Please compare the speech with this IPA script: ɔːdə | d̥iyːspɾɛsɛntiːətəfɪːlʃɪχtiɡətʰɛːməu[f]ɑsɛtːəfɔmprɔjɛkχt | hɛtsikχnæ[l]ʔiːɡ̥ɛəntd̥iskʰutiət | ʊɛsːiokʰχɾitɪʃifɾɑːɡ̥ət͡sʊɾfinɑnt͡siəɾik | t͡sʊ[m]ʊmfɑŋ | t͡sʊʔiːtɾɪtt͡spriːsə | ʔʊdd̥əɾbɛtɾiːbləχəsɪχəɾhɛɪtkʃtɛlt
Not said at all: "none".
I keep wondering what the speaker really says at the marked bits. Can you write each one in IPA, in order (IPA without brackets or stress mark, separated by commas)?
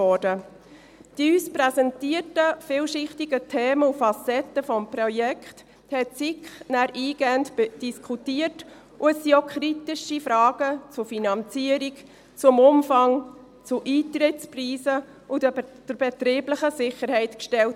f, ɾ, m